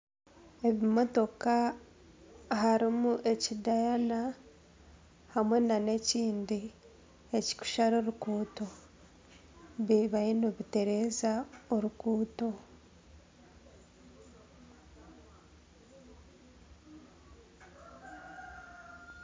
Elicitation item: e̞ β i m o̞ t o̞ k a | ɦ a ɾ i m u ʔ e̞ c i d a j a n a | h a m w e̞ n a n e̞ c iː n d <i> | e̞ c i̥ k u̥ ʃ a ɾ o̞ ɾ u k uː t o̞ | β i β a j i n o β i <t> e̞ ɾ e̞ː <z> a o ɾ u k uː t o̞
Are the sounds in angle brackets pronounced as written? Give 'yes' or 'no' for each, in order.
yes, yes, yes

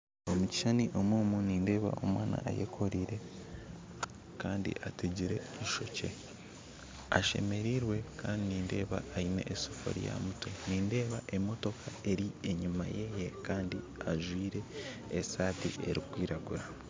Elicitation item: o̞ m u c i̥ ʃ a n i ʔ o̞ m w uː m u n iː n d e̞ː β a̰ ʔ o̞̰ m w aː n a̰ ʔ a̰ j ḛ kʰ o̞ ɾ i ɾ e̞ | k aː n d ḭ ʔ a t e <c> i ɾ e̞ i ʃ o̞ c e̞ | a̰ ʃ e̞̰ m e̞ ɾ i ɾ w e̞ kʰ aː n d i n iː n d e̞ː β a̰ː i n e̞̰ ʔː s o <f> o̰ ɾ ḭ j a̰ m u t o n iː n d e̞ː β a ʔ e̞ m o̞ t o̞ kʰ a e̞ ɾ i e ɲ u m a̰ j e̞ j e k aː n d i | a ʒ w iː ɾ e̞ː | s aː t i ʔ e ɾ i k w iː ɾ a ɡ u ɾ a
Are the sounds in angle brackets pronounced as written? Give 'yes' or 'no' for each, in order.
no, yes

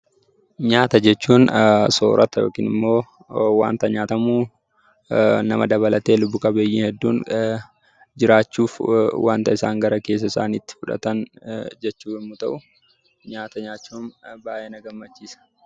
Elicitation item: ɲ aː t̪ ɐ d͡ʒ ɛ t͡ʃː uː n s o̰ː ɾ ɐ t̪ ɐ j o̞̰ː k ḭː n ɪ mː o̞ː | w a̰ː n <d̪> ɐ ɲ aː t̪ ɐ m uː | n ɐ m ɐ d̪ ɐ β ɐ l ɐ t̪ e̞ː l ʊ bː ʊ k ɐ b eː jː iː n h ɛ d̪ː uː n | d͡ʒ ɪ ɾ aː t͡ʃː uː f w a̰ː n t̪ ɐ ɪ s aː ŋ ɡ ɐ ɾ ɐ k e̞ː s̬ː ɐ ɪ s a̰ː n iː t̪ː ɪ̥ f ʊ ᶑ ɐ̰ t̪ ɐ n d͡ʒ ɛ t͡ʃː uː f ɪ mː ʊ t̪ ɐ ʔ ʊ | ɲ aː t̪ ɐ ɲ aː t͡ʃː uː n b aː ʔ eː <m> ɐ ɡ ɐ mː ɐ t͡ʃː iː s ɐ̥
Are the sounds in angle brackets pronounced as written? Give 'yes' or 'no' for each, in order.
no, no

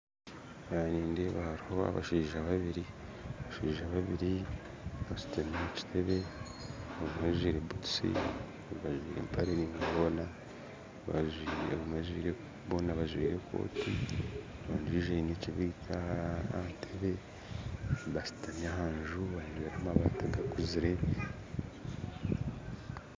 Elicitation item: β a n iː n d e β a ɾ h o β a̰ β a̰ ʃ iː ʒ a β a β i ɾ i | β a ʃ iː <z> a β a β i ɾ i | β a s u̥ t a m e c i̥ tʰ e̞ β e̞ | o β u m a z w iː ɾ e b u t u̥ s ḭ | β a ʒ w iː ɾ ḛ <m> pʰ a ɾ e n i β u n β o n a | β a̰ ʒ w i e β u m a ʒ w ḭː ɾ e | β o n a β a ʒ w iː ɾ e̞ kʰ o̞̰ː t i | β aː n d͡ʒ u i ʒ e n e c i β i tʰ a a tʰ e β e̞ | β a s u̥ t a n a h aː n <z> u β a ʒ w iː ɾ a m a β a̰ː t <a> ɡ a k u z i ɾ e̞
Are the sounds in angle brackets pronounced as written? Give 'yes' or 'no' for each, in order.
no, yes, no, yes

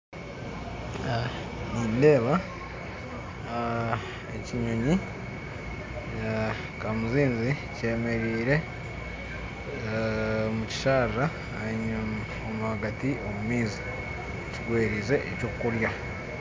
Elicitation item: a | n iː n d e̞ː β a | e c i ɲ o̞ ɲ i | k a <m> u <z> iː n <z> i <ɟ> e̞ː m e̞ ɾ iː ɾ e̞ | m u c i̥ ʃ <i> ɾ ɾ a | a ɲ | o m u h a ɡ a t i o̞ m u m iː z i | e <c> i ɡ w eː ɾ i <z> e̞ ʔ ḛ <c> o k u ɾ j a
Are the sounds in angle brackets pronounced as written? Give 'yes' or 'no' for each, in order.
yes, yes, yes, no, no, yes, yes, yes

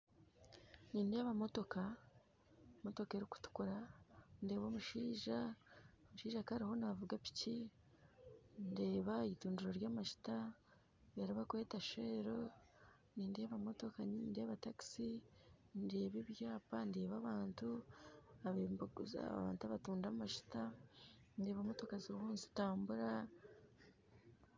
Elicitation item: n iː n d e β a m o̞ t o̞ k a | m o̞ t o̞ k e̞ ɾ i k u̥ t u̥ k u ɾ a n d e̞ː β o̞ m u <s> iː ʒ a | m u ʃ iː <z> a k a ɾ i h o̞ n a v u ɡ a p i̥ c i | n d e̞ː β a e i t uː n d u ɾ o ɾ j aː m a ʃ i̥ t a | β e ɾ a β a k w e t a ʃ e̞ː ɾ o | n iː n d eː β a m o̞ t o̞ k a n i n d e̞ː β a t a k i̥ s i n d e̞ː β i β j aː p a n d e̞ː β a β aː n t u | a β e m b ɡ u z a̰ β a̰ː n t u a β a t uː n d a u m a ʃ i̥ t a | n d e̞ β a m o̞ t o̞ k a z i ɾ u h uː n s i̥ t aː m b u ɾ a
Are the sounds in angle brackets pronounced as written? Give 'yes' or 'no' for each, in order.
no, no

